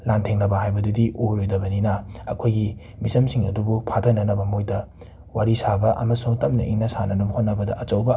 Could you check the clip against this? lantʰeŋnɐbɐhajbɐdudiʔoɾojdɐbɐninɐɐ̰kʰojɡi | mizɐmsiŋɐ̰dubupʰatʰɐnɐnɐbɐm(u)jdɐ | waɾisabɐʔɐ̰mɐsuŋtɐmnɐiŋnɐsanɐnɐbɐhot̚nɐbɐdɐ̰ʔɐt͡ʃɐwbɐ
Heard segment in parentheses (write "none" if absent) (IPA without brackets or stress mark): o